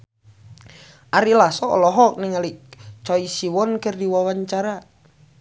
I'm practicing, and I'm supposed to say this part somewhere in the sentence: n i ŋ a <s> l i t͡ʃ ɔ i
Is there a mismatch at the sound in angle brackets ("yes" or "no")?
yes